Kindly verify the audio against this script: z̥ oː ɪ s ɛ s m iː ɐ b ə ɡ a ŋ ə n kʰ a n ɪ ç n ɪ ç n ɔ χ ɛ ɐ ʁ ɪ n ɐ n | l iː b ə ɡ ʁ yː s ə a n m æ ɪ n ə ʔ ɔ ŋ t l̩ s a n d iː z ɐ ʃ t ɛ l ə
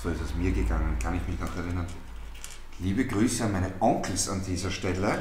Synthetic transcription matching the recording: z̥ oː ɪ s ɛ s m iː ɐ ɡ ə ɡ a ŋ ə n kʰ a n ɪ ç m ɪ ç n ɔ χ ɛ ɐ ʁ ɪ n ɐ n | l iː b ə ɡ ʁ yː s ə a n m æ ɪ n ə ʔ ɔ ŋ k l̩ s a n d iː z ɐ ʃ t ɛ l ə

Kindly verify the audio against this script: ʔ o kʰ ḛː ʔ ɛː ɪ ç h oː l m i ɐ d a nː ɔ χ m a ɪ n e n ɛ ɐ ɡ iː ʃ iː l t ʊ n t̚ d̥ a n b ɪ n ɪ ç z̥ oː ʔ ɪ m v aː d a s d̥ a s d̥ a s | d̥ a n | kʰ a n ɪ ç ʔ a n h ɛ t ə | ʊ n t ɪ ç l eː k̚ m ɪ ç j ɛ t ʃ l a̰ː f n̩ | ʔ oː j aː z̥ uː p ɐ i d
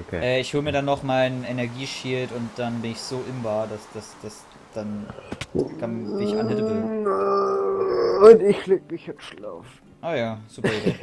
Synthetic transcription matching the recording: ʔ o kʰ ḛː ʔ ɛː ɪ ç h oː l m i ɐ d a nː ɔ χ m a ɪ n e n ɛ ɐ ɡ iː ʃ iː l t ʊ n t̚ d̥ a n b ɪ n ɪ ç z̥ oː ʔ ɪ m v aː d a s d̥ a s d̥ a s | d̥ a n | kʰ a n ɪ ç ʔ a n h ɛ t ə | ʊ n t ɪ ç l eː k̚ m ɪ ç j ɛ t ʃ l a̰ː f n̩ | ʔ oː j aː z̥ uː p ɐ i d

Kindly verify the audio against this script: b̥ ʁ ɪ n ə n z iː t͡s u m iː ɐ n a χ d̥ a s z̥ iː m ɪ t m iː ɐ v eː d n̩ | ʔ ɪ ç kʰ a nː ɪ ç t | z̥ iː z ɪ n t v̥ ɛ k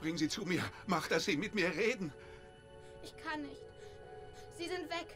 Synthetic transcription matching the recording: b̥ ʁ ɪ ŋ ə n z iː t͡s u m iː ɐ m a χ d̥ a s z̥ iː m ɪ t m iː ɐ ʁ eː d n̩ | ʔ ɪ ç kʰ a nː ɪ ç t | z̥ iː z ɪ n t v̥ ɛ k

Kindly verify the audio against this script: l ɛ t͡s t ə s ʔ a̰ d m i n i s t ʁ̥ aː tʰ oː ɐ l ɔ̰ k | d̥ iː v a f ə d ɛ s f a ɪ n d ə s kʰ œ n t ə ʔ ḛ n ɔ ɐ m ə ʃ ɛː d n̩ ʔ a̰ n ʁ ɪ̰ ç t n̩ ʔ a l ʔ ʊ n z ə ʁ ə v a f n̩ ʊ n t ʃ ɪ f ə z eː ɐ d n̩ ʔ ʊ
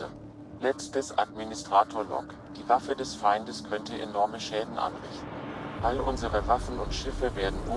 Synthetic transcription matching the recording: l ɛ t͡s t ə s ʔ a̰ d m i n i s t ʁ̥ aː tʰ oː ɐ l ɔ̰ k | d̥ iː v a f ə d ɛ s f a ɪ n d ə s kʰ œ n t ə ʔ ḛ n ɔ ɐ m ə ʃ ɛː d n̩ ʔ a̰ n ʁ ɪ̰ ç t n̩ ʔ a l ʔ ʊ n z ə ʁ ə v a f n̩ ʊ n t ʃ ɪ f ə v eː ɐ d n̩ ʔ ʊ

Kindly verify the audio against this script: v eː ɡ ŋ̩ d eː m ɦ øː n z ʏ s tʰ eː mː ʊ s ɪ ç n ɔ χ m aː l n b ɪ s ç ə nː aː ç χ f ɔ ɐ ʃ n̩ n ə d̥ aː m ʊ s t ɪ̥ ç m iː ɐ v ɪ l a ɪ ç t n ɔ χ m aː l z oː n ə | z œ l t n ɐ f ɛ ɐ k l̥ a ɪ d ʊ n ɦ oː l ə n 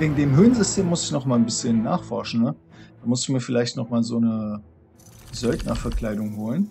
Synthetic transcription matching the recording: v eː ɡ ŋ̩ d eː m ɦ øː n z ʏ s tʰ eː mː ʊ s ɪ ç n ɔ χ m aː l n b ɪ s ç ə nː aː χ f ɔ ɐ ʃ n̩ n ə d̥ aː m ʊ s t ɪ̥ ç m iː ɐ f ɪ l a ɪ ç t n ɔ χ m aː l z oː n ə | z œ l t n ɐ f ɛ ɐ k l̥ a ɪ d ʊ ŋ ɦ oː l ə n

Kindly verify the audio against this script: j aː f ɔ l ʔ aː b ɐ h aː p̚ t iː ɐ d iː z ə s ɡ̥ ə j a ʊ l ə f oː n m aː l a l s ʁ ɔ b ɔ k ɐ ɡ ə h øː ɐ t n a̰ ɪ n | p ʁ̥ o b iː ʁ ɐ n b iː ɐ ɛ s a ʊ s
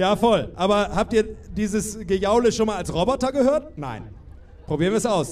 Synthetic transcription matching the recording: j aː f ɔ l ʔ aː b ɐ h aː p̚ t iː ɐ d iː z ə s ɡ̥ ə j a ʊ l ə ʃ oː n m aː l a l s ʁ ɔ b ɔ t ɐ ɡ ə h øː ɐ t n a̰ ɪ n | p ʁ̥ o b iː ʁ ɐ n v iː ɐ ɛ s a ʊ s

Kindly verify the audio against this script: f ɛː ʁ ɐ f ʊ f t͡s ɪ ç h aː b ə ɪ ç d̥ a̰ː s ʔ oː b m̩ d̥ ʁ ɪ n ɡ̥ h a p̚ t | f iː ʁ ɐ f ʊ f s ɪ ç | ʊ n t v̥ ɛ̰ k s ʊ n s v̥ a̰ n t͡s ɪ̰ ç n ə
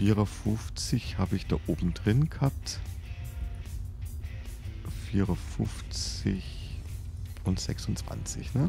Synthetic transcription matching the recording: f iː ʁ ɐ f ʊ f t͡s ɪ ç h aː b ə ɪ ç d̥ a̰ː ʔ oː b m̩ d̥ ʁ ɪ n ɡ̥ h a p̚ t | f iː ʁ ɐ f ʊ f t͡s ɪ ç | ʊ n t z̥ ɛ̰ k s ʊ n t͡s v̥ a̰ n t͡s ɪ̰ ç n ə

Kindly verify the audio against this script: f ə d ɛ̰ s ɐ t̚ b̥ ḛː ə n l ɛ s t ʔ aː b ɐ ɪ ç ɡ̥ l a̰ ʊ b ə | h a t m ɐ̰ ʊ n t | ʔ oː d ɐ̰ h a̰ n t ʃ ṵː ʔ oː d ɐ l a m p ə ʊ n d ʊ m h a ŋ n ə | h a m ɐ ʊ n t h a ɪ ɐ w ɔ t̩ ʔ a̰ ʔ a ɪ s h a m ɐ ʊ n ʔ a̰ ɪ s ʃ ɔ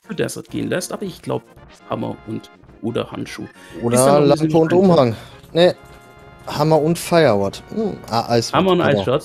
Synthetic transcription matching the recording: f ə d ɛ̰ s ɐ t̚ ɡ̥ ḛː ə n l ɛ s t ʔ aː b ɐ ɪ ç ɡ̥ l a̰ ʊ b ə | h a m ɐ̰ ʊ n t | ʔ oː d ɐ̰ h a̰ n t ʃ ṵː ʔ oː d ɐ l a m p ə ʊ n t ʊ m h a ŋ n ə | h a m ɐ ʊ n t f a ɪ ɐ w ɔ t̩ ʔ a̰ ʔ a ɪ s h a m ɐ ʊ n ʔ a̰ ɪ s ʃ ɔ

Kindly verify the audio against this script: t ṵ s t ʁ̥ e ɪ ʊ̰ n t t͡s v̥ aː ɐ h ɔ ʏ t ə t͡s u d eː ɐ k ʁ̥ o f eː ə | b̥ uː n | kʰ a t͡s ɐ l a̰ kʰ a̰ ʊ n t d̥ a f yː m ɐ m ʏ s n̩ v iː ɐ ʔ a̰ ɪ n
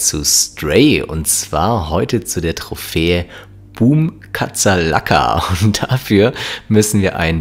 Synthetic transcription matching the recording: t͡s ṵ s t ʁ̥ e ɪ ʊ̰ n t t͡s v̥ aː ɐ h ɔ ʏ t ə t͡s u d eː ɐ t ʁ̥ o f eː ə | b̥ uː m | kʰ a t͡s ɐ l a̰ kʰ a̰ ʊ n t d̥ a f yː ɐ m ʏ s n̩ v iː ɐ ʔ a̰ ɪ n

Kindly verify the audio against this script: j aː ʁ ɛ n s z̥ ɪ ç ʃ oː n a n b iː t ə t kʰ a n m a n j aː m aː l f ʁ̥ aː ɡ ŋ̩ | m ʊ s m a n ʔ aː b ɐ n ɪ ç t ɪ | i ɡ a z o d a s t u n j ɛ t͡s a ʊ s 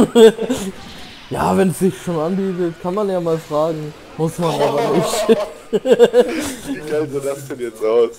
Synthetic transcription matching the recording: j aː v ɛ n s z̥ ɪ ç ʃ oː n a n b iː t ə t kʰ a n m a n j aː m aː l f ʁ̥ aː ɡ ŋ̩ | m ʊ s m a n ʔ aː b ɐ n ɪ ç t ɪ | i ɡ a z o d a s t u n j ɛ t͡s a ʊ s

